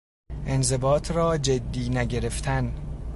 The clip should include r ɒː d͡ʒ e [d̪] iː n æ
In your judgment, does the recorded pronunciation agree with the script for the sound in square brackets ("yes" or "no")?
no